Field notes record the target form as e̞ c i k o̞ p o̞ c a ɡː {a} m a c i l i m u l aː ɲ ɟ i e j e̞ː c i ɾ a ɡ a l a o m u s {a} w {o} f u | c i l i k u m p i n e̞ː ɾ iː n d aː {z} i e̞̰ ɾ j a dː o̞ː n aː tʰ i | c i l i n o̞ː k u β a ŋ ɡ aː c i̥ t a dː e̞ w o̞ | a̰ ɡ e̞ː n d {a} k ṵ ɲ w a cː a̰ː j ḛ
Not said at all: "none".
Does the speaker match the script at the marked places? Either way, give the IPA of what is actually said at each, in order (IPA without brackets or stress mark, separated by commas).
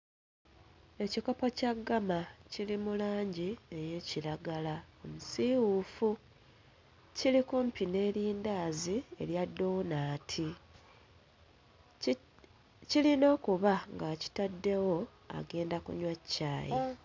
a, i, u, z, a